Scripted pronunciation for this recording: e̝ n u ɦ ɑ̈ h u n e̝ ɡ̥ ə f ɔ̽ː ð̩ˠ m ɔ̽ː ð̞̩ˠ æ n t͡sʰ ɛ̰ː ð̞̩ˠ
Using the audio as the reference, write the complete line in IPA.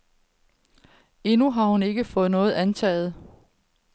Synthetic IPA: e̝ n u ɦ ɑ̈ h u n e̝ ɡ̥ ə f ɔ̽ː ð̩ˠ n ɔ̽ː ð̞̩ˠ æ n t͡sʰ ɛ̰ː ð̞̩ˠ

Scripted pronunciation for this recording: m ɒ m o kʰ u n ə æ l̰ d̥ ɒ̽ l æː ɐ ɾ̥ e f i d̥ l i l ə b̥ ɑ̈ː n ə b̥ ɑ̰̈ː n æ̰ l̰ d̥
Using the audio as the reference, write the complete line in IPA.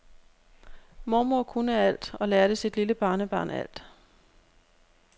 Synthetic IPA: m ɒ m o kʰ u n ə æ l̰ d̥ ɒ̽ l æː ɐ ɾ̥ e s i d̥ l i l ə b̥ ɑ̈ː n ə b̥ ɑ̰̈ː n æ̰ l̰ d̥

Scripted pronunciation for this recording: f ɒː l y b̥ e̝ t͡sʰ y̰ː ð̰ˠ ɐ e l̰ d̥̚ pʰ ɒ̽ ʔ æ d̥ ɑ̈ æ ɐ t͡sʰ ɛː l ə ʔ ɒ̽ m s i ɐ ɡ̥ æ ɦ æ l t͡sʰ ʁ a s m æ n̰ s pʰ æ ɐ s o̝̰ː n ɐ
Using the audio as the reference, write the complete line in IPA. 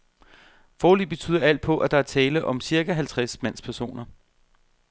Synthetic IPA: f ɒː l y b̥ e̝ t͡sʰ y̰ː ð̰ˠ ɐ æ l̰ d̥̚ pʰ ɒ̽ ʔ æ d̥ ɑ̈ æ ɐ t͡sʰ ɛː l ə ʔ ɒ̽ m s i ɐ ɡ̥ æ ɦ æ l t͡sʰ ʁ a s m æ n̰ s pʰ æ ɐ s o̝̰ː n ɐ

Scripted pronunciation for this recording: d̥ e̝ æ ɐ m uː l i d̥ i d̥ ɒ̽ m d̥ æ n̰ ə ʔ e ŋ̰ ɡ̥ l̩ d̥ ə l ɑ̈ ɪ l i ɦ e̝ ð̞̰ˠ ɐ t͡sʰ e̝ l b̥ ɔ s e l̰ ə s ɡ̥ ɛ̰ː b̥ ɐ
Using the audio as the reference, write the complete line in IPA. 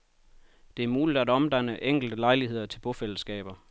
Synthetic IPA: d̥ e̝ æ ɐ m uː l i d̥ æ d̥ ɒ̽ m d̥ æ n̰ ə ʔ e ŋ̰ ɡ̥ l̩ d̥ ə l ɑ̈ ɪ l i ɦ e̝ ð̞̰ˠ ɐ t͡sʰ e̝ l b̥ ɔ f e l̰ ə s ɡ̥ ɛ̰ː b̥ ɐ

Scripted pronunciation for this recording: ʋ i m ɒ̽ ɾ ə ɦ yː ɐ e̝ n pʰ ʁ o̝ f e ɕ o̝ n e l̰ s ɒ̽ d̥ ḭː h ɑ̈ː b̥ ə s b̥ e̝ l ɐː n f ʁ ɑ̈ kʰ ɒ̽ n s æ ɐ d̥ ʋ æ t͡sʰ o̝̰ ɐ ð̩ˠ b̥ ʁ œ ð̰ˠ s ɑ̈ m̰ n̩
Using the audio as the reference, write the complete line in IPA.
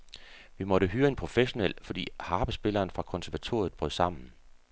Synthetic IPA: ʋ i m ɒ̽ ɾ ə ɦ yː ɐ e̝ n pʰ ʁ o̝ f e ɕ o̝ n e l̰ f ɒ̽ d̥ ḭː h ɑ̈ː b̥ ə s b̥ e̝ l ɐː n f ʁ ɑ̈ kʰ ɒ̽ n s æ ɐ ʋ æ t͡sʰ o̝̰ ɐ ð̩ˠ b̥ ʁ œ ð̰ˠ s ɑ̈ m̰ n̩

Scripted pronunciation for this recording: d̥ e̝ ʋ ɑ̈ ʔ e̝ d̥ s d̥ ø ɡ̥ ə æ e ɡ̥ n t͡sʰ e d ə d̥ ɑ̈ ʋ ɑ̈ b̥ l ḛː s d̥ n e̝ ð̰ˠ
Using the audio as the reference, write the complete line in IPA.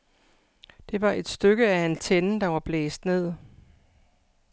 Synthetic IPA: d̥ e̝ ʋ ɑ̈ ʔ e̝ d̥ s d̥ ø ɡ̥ ə æ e n t͡sʰ e n ə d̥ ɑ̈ ʋ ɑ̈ b̥ l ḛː s d̥ n e̝ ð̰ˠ

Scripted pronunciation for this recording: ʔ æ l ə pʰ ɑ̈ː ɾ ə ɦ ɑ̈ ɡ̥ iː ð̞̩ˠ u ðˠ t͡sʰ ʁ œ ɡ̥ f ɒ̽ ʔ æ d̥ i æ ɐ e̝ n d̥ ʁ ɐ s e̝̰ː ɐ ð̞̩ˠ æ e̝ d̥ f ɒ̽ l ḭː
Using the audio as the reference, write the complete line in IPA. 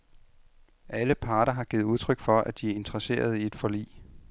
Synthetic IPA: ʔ æ l ə pʰ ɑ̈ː ɾ ɐ ɦ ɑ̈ ɡ̥ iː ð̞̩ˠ u ðˠ t͡sʰ ʁ œ ɡ̥ f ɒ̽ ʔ æ d̥ i æ ɐ e̝ n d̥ ʁ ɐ s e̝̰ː ɐ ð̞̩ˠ i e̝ d̥ f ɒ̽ l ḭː

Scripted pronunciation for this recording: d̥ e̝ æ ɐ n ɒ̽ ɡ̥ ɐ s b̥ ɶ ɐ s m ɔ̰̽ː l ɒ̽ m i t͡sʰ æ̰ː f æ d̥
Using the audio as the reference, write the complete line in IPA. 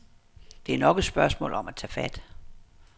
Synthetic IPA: d̥ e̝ æ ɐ n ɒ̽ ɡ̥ ə s b̥ ɶ ɐ s m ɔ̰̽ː l ɒ̽ m æ t͡sʰ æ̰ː f æ d̥

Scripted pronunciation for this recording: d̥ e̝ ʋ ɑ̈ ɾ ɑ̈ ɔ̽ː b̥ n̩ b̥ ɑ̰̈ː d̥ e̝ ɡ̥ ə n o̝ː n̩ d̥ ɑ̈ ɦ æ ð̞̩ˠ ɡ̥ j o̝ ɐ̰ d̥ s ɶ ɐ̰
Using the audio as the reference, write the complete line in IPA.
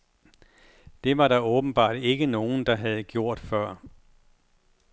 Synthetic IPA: d̥ e̝ ʋ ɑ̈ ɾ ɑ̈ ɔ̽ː b̥ n̩ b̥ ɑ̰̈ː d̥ e̝ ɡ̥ ə n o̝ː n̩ d̥ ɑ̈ ɦ æ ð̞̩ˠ ɡ̥ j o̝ ɐ̰ d̥ f ɶ ɐ̰

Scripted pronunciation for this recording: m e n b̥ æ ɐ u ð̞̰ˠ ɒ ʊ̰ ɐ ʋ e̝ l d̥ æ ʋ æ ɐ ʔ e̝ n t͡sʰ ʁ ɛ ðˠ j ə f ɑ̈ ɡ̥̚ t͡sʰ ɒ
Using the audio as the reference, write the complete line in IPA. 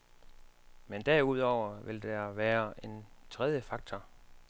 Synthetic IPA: m e n d̥ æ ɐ u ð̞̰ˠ ɒ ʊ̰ ɐ ʋ e̝ l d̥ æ ʋ æː ɐ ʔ e̝ n t͡sʰ ʁ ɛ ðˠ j ə f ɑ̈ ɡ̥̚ t͡sʰ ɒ

